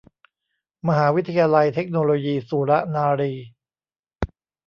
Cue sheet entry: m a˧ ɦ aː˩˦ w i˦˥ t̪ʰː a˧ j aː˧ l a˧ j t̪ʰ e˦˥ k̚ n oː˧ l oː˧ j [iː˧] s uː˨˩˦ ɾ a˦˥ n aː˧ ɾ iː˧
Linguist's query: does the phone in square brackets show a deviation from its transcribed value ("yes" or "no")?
no